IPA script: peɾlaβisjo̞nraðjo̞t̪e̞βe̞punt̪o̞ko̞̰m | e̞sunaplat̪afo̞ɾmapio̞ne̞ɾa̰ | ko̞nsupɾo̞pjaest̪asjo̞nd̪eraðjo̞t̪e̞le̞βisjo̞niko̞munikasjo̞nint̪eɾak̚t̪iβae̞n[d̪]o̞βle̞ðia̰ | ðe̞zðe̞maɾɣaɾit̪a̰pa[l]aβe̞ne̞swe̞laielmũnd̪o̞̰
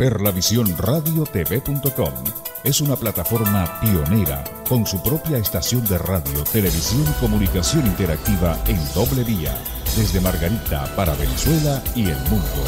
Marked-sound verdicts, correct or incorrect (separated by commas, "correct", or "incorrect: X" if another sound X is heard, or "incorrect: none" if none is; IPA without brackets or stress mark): correct, incorrect: ɾ